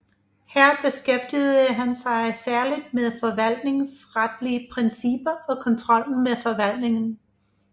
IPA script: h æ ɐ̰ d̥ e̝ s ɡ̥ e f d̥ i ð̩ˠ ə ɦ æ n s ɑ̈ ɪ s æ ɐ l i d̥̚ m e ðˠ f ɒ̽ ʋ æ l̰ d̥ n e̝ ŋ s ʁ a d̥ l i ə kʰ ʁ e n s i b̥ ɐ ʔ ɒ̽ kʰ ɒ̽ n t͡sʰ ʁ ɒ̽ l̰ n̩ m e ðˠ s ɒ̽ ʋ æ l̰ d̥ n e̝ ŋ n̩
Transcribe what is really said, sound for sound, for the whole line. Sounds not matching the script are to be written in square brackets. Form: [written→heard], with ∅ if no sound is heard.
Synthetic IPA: h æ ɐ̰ [d̥→b̥] e̝ s ɡ̥ e f d̥ i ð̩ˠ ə ɦ æ n s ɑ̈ ɪ s æ ɐ l i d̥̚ m e ðˠ f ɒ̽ ʋ æ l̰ d̥ n e̝ ŋ s ʁ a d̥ l i ə [kʰ→pʰ] ʁ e n s i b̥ ɐ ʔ ɒ̽ kʰ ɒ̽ n t͡sʰ ʁ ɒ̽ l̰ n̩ m e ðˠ [s→f] ɒ̽ ʋ æ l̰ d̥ n e̝ ŋ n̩